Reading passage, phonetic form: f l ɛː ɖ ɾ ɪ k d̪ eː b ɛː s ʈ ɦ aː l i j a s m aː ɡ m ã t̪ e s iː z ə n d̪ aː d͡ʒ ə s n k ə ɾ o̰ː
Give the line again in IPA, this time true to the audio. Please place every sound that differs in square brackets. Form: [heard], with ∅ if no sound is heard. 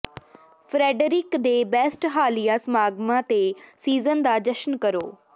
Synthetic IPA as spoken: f [ɾ] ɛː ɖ ɾ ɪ k d̪ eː b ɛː s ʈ ɦ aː l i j a s m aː ɡ m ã t̪ e s iː z ə n d̪ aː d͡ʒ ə [ʃ] n k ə ɾ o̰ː

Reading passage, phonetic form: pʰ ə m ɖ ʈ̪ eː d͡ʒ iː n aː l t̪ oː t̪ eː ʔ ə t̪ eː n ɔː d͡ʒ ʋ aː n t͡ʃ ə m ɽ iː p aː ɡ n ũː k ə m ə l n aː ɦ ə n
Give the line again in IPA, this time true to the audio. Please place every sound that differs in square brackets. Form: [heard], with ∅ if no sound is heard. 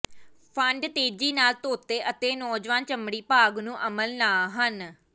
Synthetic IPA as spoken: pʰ ə [ɳ] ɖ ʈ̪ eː d͡ʒ iː n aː l t̪ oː t̪ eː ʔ ə t̪ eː n ɔː d͡ʒ ʋ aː n t͡ʃ ə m ɽ iː p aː ɡ n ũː [ʔ] ə m ə l n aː ɦ ə n

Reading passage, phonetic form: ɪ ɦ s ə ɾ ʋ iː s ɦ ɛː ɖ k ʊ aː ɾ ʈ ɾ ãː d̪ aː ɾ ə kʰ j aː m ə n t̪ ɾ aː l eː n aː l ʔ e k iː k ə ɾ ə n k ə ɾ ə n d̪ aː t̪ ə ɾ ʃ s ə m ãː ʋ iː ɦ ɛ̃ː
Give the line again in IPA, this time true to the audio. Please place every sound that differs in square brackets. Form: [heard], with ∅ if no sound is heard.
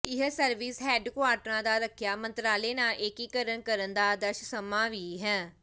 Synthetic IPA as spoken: ɪ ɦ s ə ɾ ʋ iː s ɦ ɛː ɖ k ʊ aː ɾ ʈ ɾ ãː d̪ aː ɾ ə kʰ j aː m ə n t̪ ɾ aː l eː n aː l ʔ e k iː k ə ɾ ə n k ə ɾ ə n d̪ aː [d̪] ə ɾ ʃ s ə m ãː ʋ iː ɦ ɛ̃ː

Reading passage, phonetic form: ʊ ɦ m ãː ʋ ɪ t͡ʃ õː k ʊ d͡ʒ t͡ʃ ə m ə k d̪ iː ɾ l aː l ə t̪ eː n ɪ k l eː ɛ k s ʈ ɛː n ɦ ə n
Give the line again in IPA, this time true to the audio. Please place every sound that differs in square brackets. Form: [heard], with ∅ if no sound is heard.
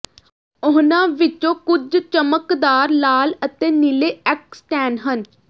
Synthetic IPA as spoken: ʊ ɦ [n] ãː ʋ ɪ t͡ʃ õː k ʊ d͡ʒ t͡ʃ ə m ə k d̪ [aː] ɾ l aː l ə t̪ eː n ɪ [∅] l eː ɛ k s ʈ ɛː n ɦ ə n

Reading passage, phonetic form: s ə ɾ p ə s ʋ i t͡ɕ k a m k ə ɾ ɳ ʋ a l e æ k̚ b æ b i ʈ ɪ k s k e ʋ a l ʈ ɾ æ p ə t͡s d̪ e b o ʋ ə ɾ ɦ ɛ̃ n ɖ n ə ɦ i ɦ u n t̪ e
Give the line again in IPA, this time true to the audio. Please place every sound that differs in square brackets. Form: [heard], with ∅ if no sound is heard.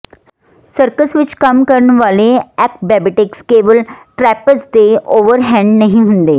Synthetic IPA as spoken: s ə ɾ [k] ə s ʋ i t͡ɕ k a m k ə ɾ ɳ ʋ a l e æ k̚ b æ b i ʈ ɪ k s k e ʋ [ə] l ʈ ɾ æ p ə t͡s d̪ e [∅] o ʋ ə ɾ ɦ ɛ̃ [ɳ] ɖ n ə ɦ i ɦ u n [d̪] e

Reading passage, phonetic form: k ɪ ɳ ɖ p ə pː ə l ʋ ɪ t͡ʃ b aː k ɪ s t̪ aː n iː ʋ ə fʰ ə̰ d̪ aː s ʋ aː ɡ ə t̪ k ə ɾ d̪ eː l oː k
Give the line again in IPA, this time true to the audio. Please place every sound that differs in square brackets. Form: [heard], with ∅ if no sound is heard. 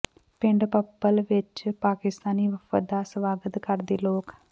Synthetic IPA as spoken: [p] ɪ ɳ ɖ p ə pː ə l ʋ ɪ t͡ʃ [p] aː k ɪ s t̪ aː n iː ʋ ə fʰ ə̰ d̪ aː s ʋ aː ɡ ə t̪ k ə ɾ d̪ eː l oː k

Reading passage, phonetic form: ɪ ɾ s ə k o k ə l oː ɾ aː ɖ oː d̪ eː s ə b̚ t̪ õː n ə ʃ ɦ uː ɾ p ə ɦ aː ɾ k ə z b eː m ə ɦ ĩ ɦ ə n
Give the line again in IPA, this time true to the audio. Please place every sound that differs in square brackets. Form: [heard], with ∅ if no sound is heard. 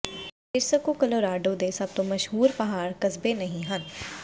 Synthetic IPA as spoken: ɪ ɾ s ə k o k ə l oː ɾ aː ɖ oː d̪ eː s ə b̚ t̪ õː [m] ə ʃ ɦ uː ɾ p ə ɦ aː ɾ k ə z b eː [n] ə ɦ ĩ ɦ ə n

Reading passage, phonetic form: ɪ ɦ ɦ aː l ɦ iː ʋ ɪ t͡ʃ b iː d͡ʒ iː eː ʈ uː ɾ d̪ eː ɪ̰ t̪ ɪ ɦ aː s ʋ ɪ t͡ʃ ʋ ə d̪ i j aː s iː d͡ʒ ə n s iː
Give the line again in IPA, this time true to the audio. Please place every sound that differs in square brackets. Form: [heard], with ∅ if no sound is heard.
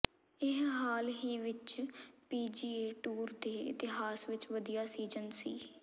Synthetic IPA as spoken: ɪ ɦ ɦ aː l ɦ iː ʋ ɪ t͡ʃ [p] iː d͡ʒ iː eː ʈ uː ɾ d̪ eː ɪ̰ t̪ ɪ ɦ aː s ʋ ɪ t͡ʃ ʋ ə d̪ i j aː s iː d͡ʒ ə n s iː

